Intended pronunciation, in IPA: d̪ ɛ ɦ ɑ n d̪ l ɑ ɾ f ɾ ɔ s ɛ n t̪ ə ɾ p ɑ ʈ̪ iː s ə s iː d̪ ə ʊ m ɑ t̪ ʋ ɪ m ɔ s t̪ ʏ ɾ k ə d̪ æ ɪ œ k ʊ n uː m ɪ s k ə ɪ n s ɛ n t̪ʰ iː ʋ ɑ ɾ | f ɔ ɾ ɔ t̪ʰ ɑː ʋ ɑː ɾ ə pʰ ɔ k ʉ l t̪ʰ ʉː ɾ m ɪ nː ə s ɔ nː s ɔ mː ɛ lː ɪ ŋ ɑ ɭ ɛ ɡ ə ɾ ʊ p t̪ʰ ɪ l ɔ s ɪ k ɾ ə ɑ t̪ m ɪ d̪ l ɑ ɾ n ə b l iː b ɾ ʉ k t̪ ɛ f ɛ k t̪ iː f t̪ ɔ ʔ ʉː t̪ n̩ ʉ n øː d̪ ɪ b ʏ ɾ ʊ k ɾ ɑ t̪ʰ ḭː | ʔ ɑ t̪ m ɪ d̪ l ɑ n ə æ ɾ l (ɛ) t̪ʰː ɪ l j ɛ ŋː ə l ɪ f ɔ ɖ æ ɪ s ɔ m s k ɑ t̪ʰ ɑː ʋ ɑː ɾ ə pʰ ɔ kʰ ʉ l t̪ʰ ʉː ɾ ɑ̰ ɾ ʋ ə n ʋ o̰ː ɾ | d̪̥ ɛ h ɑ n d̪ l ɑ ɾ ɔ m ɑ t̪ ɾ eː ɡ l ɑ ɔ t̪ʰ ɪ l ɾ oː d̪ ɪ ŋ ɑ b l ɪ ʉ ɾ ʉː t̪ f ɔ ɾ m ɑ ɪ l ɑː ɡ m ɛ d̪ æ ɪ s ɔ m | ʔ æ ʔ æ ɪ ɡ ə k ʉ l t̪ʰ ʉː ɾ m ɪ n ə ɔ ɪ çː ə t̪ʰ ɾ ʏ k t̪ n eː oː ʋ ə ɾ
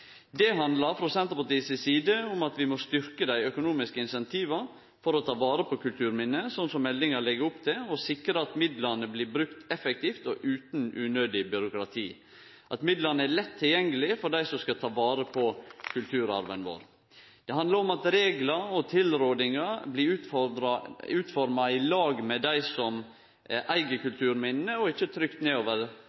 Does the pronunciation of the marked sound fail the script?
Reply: no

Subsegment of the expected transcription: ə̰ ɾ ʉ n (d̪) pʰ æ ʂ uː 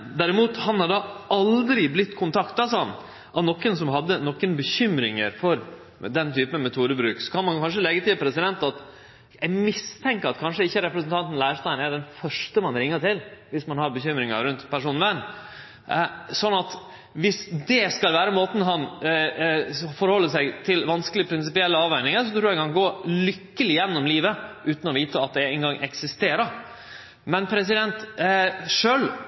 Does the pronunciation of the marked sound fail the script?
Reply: yes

